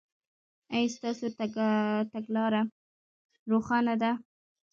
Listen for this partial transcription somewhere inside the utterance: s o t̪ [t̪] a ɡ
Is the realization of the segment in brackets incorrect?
no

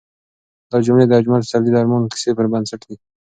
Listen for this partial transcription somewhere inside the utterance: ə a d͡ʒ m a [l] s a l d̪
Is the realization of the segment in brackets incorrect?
no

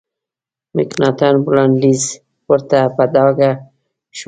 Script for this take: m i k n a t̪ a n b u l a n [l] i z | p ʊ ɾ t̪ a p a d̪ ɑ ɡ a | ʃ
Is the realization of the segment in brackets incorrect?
no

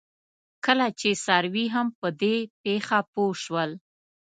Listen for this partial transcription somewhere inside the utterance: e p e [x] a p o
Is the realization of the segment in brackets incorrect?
no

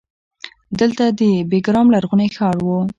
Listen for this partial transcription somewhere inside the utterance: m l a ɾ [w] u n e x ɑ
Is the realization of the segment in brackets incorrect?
yes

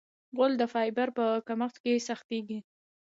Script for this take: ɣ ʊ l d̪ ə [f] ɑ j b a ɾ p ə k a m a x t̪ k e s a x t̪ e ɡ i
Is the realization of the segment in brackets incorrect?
no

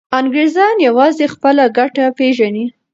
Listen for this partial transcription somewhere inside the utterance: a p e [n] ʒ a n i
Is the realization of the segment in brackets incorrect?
yes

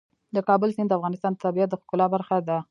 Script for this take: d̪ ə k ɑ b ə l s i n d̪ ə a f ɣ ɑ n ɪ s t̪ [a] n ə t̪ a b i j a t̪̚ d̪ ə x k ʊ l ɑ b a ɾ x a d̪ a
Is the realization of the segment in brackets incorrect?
yes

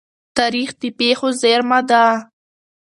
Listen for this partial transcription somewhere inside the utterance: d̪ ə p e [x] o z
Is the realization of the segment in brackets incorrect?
no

